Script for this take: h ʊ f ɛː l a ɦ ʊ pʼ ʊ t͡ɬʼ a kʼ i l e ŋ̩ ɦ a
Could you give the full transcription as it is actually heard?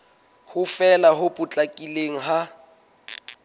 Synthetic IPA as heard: h ʊ f ɛ l a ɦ ʊ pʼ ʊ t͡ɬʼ a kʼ i l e ŋ̩ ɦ a